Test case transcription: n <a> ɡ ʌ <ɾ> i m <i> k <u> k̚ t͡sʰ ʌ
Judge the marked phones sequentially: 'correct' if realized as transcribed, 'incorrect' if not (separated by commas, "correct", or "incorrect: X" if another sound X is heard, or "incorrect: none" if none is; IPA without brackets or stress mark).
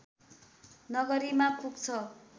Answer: incorrect: ʌ, correct, incorrect: a, correct